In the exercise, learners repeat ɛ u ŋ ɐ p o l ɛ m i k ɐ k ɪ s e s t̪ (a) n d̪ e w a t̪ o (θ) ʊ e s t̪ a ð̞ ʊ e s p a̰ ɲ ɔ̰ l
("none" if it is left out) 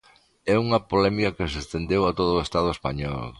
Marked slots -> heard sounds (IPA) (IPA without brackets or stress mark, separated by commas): e, ð